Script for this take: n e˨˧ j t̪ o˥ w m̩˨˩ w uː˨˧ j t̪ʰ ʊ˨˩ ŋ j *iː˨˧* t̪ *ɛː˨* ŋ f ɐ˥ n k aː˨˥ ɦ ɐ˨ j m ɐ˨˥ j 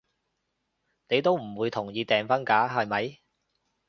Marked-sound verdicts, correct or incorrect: correct, correct

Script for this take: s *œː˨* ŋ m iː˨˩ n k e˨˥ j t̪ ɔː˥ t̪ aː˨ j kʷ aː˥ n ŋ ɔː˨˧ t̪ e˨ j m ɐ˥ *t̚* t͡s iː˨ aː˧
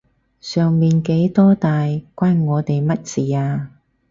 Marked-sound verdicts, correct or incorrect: correct, correct

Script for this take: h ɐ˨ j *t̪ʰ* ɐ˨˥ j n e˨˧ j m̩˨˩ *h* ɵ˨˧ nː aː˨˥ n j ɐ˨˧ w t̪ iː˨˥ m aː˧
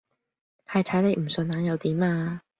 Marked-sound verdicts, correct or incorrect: correct, incorrect: s

